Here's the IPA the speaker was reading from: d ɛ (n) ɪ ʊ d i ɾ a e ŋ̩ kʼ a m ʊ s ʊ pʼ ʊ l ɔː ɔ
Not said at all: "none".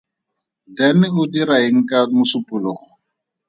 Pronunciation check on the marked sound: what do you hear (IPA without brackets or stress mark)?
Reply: n